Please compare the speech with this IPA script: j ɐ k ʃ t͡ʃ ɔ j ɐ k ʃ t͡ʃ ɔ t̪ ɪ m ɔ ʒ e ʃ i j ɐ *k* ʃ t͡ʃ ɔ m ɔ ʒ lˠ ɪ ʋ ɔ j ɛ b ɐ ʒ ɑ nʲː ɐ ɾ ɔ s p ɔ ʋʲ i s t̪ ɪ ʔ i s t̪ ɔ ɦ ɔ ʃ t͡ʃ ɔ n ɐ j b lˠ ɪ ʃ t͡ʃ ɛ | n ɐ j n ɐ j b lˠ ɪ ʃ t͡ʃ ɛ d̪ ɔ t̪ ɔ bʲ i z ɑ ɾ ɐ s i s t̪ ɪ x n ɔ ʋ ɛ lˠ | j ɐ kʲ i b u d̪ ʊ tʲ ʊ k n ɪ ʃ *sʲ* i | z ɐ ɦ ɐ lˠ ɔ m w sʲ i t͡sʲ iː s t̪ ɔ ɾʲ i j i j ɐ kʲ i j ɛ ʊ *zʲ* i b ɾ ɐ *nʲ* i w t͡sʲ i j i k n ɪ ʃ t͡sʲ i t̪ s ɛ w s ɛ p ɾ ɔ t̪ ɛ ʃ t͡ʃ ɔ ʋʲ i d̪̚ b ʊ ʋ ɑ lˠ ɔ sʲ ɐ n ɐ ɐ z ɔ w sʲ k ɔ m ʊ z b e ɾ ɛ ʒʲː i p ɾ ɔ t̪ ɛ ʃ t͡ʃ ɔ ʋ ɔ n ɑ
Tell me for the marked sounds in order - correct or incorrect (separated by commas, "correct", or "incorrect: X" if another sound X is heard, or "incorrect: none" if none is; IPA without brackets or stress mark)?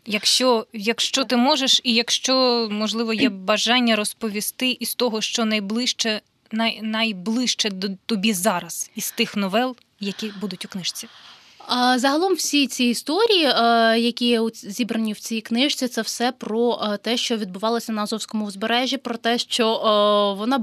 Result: correct, incorrect: t͡sʲ, correct, correct